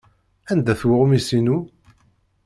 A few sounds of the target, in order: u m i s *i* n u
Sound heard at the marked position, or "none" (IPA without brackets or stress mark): i